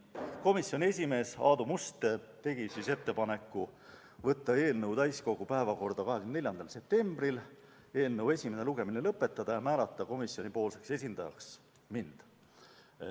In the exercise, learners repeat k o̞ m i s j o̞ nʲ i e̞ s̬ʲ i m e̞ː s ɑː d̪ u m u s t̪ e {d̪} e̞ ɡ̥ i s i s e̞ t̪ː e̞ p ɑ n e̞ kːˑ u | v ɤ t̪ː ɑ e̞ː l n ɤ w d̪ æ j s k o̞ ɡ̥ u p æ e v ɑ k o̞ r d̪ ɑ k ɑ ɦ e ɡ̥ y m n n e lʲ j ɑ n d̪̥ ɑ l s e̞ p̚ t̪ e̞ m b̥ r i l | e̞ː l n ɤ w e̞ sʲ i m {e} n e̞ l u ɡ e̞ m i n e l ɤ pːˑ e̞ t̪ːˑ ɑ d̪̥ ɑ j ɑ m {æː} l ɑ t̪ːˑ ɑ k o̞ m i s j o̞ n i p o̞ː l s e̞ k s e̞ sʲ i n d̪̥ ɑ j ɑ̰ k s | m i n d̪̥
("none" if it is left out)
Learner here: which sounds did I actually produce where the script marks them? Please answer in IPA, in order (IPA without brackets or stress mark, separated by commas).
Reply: t̪, e, æː